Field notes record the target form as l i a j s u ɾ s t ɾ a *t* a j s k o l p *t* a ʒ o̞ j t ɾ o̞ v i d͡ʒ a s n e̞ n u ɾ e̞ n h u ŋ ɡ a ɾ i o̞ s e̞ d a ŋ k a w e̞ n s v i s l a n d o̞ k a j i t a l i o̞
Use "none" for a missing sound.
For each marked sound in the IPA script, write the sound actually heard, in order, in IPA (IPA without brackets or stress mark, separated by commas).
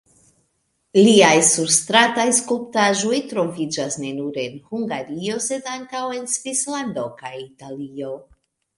t, t